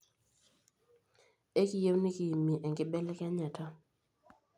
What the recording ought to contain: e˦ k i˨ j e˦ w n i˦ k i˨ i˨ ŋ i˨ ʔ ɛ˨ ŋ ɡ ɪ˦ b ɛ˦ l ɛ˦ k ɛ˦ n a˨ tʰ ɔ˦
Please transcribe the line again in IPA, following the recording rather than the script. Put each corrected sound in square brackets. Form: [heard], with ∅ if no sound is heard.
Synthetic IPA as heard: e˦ k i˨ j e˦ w n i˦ k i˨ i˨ [m] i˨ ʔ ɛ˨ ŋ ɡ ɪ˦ b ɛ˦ l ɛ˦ k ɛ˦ [ɲ] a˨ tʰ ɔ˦